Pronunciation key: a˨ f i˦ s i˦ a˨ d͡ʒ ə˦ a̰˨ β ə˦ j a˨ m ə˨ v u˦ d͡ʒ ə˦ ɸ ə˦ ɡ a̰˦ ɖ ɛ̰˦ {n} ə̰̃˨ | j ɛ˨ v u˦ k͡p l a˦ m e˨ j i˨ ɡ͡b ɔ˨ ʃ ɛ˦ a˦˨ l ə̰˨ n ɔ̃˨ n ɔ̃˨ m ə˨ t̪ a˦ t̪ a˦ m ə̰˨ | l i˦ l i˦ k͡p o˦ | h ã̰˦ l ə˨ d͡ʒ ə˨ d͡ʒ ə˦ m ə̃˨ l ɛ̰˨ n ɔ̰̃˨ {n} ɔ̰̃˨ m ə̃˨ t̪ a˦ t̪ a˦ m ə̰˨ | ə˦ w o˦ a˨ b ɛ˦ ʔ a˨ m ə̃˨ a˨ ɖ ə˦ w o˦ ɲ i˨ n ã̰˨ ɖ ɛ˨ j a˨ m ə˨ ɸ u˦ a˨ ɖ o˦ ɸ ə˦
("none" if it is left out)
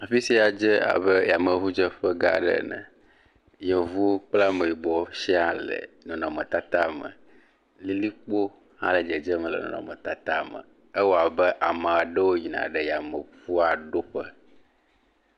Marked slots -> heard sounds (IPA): n, n

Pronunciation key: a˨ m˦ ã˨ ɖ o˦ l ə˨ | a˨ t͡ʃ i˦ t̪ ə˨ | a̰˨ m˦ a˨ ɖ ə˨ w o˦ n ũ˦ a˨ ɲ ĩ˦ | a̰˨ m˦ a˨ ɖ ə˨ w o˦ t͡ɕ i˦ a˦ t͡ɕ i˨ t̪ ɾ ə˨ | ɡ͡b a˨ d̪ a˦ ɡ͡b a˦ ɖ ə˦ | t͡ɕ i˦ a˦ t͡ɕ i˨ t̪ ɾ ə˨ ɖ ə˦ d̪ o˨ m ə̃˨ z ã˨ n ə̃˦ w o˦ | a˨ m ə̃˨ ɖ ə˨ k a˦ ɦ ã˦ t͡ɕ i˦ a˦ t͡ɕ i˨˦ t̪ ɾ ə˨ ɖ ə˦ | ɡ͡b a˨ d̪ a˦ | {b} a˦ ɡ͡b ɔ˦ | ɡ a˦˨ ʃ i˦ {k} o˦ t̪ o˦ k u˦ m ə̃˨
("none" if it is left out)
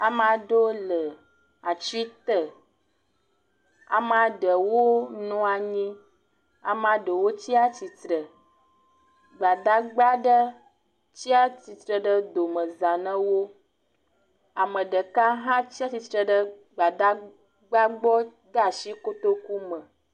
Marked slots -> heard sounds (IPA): ɡ͡b, k

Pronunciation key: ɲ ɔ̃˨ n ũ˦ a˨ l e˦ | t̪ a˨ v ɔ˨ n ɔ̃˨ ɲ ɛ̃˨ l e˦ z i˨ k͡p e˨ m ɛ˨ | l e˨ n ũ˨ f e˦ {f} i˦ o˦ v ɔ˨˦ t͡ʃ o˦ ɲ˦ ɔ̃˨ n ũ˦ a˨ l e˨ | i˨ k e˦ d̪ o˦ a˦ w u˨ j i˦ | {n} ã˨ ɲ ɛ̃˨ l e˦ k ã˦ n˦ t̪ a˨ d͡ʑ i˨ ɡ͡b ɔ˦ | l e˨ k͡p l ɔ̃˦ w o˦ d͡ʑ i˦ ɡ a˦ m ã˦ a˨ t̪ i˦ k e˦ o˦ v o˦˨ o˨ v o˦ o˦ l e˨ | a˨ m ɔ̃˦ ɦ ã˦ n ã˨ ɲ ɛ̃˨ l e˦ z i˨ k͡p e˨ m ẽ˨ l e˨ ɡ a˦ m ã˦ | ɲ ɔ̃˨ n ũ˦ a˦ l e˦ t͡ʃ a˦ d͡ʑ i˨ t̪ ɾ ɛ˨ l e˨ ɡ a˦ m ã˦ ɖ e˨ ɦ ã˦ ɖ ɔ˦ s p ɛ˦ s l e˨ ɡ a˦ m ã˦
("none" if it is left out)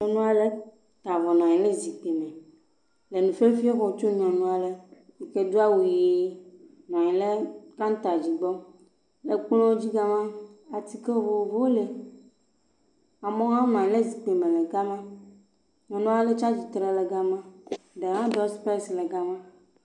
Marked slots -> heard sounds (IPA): f, n

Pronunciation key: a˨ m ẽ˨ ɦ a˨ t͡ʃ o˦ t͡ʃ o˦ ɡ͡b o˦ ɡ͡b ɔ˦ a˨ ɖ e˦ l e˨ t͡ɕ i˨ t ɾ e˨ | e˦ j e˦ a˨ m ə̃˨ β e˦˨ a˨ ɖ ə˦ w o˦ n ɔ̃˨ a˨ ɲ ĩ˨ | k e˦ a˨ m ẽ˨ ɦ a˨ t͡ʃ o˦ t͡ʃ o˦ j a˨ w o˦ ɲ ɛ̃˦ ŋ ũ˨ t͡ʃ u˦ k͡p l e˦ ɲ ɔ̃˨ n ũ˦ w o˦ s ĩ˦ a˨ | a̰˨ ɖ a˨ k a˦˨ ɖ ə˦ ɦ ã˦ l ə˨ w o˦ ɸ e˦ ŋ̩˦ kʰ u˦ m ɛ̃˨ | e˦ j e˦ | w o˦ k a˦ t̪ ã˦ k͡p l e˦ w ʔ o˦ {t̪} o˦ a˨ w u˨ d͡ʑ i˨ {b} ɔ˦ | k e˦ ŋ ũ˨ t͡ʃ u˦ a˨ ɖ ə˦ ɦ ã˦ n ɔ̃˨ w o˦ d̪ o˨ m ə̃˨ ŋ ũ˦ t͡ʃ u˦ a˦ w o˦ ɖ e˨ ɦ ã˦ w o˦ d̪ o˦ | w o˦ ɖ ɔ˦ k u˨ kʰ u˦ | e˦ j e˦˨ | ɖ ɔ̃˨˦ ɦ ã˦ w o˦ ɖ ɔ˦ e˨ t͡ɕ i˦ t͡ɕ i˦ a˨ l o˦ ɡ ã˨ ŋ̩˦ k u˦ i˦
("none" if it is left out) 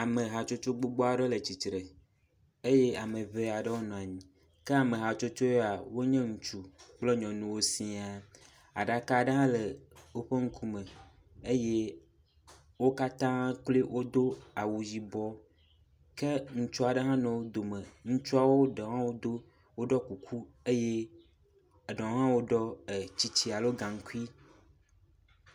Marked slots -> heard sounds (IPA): d̪, b

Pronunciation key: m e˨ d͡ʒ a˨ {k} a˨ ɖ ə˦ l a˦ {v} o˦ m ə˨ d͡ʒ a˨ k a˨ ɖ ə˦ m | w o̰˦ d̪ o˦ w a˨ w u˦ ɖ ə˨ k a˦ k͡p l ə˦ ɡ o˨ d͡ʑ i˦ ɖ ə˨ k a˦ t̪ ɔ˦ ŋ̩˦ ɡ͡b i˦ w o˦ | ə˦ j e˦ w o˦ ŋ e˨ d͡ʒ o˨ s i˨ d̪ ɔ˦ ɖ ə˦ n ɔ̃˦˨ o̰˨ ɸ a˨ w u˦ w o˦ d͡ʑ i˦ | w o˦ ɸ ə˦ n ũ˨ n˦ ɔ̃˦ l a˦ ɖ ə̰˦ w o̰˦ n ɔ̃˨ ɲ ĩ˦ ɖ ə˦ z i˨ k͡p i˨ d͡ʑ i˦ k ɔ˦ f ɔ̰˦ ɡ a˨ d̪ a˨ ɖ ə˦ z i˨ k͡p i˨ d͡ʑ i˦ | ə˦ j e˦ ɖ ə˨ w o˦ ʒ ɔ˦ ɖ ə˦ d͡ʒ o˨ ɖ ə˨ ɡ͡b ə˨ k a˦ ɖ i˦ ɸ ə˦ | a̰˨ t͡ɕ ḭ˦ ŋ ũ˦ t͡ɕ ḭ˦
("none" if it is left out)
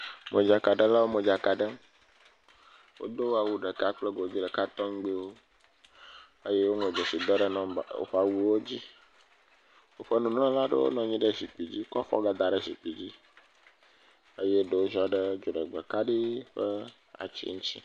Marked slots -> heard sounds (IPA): k, w

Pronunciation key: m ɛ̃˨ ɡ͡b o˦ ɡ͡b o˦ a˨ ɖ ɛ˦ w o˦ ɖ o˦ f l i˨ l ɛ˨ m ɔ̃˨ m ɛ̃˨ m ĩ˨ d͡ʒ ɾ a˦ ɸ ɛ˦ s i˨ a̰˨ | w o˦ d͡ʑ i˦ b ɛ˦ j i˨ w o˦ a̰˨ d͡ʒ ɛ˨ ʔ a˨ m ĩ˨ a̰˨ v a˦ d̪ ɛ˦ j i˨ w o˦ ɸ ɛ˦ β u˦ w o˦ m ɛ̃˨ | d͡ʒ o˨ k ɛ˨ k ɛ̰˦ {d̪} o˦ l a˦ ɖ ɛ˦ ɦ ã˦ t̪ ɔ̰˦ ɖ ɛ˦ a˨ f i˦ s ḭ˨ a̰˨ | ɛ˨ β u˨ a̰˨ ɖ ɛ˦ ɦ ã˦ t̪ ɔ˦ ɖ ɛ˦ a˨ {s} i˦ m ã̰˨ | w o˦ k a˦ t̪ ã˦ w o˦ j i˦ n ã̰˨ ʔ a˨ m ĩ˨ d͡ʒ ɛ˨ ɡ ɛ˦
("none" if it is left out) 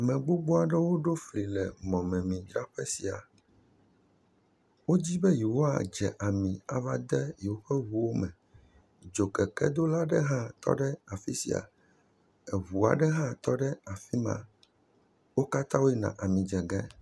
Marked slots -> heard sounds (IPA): d̪, f

